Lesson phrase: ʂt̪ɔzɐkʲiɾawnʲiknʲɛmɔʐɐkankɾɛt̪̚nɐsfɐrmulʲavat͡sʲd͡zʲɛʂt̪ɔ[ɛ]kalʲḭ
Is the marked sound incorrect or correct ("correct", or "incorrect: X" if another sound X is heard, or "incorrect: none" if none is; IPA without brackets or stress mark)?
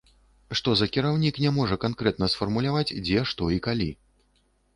incorrect: i